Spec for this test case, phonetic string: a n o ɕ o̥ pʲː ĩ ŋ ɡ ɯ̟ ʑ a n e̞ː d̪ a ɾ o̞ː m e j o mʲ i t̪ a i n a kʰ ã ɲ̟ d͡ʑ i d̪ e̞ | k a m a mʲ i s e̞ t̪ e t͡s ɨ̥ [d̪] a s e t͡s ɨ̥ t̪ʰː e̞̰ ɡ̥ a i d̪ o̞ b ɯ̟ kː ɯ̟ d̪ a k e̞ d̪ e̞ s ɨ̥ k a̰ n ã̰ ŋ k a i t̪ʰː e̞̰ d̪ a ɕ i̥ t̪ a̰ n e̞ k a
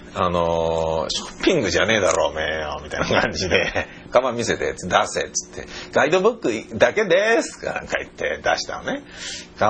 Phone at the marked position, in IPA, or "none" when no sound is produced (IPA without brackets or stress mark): d̪